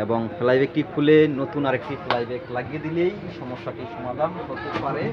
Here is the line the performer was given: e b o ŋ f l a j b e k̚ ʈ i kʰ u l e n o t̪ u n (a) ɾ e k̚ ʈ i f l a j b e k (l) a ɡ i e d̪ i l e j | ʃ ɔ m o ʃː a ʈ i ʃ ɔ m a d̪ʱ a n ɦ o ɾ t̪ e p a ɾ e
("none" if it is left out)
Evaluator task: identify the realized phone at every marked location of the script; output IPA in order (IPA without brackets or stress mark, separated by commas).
a, l